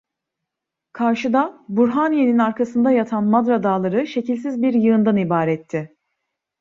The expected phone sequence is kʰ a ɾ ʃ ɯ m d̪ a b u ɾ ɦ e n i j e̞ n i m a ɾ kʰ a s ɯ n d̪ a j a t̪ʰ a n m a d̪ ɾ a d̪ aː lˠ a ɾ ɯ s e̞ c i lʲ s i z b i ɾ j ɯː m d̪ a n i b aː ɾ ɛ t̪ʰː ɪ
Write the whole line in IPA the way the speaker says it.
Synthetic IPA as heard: kʰ a ɾ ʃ ɯ d̪ a b u ɾ ɦ a n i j e̞ n i n a ɾ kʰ a s ɯ n d̪ a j a t̪ʰ a n m a d̪ ɾ a d̪ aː lˠ a ɾ ɯ ʃ e̞ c i lʲ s i z b i ɾ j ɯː n d̪ a n i b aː ɾ ɛ t̪ʰː ɪ